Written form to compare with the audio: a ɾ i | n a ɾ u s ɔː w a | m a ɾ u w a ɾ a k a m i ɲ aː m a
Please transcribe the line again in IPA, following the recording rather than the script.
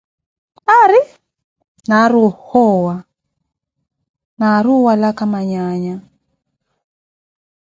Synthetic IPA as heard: a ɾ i | n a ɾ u h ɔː w a | n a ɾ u w a l a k a m a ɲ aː ɲ a